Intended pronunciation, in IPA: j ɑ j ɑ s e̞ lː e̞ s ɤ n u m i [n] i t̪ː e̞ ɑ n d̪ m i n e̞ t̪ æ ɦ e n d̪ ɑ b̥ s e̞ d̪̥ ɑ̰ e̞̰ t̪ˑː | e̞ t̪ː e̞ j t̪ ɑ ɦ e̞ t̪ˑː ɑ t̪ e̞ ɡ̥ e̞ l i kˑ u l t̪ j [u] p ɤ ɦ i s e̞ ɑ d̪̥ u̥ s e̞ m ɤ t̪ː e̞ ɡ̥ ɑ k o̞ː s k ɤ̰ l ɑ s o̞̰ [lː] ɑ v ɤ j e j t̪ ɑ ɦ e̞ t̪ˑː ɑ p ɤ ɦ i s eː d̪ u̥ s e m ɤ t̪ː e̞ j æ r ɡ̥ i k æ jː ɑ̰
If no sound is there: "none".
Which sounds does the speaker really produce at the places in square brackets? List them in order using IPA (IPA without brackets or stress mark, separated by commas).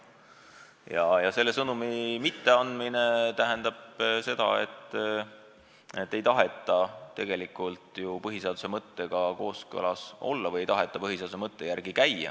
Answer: m, u, lː